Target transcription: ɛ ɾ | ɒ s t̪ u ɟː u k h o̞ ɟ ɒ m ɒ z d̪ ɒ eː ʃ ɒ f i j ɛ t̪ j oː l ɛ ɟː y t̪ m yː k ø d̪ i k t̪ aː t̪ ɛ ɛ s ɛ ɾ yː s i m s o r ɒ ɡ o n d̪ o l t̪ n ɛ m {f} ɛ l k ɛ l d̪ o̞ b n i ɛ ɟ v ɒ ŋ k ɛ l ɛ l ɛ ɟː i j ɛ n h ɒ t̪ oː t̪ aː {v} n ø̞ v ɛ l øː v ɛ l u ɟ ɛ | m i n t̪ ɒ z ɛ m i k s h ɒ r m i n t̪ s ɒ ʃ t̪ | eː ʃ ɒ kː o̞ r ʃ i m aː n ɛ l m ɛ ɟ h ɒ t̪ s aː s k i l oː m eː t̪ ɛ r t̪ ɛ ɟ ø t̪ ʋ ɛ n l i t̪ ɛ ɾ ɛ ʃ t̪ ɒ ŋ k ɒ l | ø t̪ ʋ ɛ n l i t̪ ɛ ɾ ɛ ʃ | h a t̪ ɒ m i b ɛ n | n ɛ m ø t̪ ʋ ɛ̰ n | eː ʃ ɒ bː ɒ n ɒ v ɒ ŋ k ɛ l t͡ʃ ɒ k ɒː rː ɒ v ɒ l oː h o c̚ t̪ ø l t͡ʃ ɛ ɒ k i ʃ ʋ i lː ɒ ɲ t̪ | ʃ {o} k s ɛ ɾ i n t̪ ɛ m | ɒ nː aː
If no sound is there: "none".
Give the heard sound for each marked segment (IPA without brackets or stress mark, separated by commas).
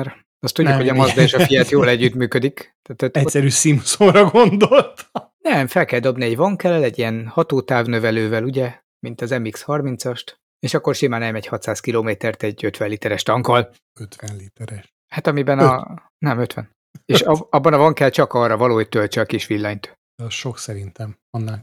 f, v, o